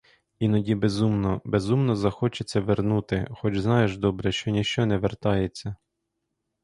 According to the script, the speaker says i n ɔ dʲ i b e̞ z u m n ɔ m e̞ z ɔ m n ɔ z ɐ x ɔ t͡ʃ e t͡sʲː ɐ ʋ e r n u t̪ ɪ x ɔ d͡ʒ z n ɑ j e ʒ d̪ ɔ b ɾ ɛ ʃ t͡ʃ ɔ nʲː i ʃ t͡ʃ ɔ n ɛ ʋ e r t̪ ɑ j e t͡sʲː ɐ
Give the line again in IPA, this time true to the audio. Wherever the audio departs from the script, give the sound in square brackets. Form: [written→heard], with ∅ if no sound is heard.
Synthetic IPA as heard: i n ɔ dʲ i b e̞ z u m n ɔ [m→b] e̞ z [ɔ→u] m n ɔ z ɐ x ɔ t͡ʃ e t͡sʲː ɐ ʋ e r n u t̪ ɪ x ɔ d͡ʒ z n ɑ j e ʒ d̪ ɔ b ɾ ɛ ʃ t͡ʃ ɔ [nʲː→nʲ] i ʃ t͡ʃ ɔ n ɛ ʋ e r t̪ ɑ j e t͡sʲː ɐ

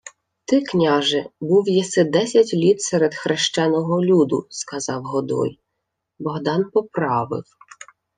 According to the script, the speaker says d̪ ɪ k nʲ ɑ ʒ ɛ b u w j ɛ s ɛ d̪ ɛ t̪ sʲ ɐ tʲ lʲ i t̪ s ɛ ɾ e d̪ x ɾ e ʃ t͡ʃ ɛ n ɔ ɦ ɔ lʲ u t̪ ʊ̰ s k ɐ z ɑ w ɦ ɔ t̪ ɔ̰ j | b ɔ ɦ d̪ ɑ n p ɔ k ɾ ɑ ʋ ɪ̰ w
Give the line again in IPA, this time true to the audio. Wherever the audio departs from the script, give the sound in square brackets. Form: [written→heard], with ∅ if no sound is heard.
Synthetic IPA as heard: [d̪→t̪] ɪ k nʲ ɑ ʒ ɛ b u w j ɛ s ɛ d̪ ɛ [t̪→∅] sʲ ɐ tʲ lʲ i t̪ s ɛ ɾ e d̪ x ɾ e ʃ t͡ʃ ɛ n ɔ ɦ ɔ lʲ u [t̪→d̪] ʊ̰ s k ɐ z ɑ w ɦ ɔ [t̪→d̪] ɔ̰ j | b ɔ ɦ d̪ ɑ n p ɔ [k→p] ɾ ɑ ʋ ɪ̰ w

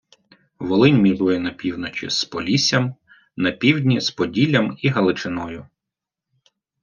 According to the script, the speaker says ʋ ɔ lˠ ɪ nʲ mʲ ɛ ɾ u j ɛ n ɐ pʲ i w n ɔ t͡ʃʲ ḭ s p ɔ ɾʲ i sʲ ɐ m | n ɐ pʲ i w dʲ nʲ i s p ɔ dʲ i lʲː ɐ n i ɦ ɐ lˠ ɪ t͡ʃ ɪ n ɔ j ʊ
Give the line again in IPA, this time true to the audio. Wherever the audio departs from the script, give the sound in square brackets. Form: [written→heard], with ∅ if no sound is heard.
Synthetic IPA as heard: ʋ ɔ lˠ ɪ nʲ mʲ [ɛ→i] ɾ u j ɛ n ɐ pʲ i w n ɔ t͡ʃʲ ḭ s p ɔ [ɾʲ→lʲ] i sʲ ɐ m | n ɐ pʲ i w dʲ nʲ i s p ɔ dʲ i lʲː ɐ [n→m] i ɦ ɐ lˠ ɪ t͡ʃ ɪ n ɔ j ʊ

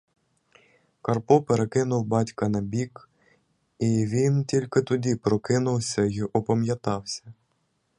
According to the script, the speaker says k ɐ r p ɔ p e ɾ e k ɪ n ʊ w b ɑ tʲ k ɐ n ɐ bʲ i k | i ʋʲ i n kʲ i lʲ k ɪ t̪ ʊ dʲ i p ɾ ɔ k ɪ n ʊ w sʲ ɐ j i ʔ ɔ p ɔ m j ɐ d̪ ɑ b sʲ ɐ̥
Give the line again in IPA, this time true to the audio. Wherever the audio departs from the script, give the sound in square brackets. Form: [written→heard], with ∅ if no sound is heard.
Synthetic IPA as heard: k ɐ r p ɔ p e ɾ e k ɪ n ʊ w b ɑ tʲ k ɐ n ɐ bʲ i k | i ʋʲ i n [kʲ→tʲ] i lʲ k ɪ t̪ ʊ dʲ i p ɾ ɔ k ɪ n ʊ w sʲ ɐ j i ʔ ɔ p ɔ m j ɐ [d̪→t̪] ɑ [b→w] sʲ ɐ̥

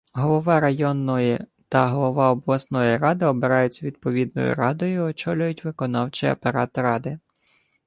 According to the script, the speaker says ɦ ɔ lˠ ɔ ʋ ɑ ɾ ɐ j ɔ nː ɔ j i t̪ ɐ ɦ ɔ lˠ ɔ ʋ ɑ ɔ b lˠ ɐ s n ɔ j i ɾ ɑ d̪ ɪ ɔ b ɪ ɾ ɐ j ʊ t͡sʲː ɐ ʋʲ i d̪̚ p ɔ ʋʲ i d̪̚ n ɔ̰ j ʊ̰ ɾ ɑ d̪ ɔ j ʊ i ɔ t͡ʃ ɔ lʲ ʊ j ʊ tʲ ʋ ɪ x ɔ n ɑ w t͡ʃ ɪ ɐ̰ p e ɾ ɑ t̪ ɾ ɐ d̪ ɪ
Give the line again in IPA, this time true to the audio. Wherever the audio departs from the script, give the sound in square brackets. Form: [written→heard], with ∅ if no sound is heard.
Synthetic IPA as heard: ɦ ɔ lˠ ɔ ʋ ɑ ɾ ɐ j ɔ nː ɔ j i t̪ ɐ ɦ ɔ lˠ ɔ ʋ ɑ ɔ b lˠ ɐ s n ɔ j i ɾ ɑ d̪ ɪ ɔ b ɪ ɾ [ɐ→ɑ] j ʊ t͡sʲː ɐ ʋʲ i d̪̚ p ɔ ʋʲ i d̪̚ n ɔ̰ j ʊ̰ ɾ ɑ d̪ ɔ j ʊ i ɔ t͡ʃ ɔ lʲ ʊ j ʊ tʲ ʋ ɪ [x→k] ɔ n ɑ w t͡ʃ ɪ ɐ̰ p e ɾ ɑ t̪ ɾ [ɐ→ɑ] d̪ ɪ

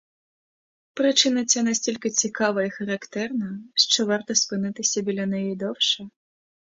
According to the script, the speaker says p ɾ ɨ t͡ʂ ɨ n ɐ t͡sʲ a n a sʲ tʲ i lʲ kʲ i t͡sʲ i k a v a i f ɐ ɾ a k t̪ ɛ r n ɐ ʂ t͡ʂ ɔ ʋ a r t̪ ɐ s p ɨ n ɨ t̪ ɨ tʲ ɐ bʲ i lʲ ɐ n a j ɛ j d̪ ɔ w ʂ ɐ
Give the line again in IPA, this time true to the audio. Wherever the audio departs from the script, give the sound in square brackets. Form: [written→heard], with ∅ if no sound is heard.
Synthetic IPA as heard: p ɾ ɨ t͡ʂ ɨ n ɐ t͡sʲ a n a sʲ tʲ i lʲ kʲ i t͡sʲ i k a v [a→ɐ] i [f→x] ɐ ɾ a k t̪ ɛ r n ɐ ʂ t͡ʂ ɔ [ʋ→v] a r t̪ ɐ s p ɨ n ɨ t̪ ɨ [tʲ→sʲ] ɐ bʲ i lʲ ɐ n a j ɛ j d̪ ɔ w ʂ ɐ

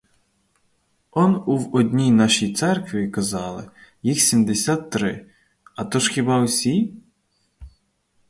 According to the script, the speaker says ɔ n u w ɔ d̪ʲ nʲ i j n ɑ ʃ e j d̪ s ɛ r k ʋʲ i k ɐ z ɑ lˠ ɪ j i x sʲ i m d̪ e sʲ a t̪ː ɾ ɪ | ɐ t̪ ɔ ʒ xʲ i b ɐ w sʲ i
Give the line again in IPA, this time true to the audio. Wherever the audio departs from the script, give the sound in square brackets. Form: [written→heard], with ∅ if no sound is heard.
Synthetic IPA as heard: ɔ n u w ɔ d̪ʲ nʲ i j n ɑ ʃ [e→i] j [d̪→t̪] s ɛ r k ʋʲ i k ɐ z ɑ lˠ ɪ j i x sʲ i m d̪ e sʲ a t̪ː ɾ ɪ | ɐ t̪ ɔ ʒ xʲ i b [ɐ→ɑ] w sʲ i

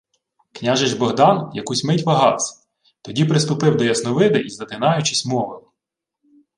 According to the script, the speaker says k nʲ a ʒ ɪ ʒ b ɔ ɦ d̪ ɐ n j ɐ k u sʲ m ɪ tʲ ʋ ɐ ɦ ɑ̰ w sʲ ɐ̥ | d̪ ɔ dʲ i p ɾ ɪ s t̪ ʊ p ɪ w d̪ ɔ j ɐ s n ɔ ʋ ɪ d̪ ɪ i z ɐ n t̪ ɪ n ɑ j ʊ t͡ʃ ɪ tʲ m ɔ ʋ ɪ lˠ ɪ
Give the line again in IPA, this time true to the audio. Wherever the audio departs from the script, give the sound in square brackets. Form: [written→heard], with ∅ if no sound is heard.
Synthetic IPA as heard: k nʲ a ʒ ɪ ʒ b ɔ ɦ d̪ [ɐ→ɑ] n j ɐ k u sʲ m ɪ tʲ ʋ ɐ ɦ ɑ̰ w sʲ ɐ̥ | [d̪→t̪] ɔ dʲ i p ɾ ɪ s t̪ ʊ p ɪ w d̪ ɔ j ɐ s n ɔ ʋ ɪ d̪ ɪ i z ɐ [n→∅] t̪ ɪ n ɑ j ʊ t͡ʃ ɪ [tʲ→sʲ] m ɔ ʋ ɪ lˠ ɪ

